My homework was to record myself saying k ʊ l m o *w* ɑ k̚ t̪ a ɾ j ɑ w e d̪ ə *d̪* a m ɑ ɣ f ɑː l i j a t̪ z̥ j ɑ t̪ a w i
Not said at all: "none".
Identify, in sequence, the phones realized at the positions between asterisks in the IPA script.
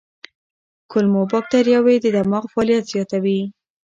b, d̪

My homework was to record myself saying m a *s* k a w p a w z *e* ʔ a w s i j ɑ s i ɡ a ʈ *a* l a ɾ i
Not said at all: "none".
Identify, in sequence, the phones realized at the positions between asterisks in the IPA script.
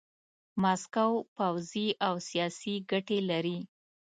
s, i, e

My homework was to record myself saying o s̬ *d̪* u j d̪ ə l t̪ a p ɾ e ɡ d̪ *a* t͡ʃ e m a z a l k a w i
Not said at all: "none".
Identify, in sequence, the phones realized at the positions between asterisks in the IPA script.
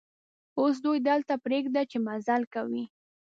d̪, a

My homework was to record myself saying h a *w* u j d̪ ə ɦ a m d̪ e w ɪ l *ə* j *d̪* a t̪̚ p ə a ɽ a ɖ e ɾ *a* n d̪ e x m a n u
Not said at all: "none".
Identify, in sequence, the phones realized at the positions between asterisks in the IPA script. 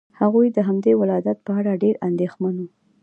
ɣ, ɑ, d̪, a

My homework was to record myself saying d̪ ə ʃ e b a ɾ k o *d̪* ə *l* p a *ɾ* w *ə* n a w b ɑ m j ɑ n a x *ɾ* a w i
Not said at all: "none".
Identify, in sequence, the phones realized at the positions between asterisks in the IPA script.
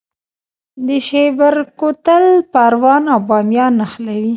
t̪, l, ɾ, ɑ, l

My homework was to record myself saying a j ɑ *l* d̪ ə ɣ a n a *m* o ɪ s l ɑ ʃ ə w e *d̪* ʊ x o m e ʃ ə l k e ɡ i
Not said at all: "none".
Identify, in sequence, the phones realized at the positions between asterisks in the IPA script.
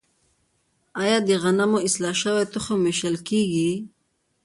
none, m, t̪

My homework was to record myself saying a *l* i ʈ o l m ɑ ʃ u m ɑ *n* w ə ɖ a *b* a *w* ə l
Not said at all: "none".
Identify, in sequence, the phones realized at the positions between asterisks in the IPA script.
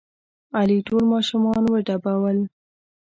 l, n, b, w

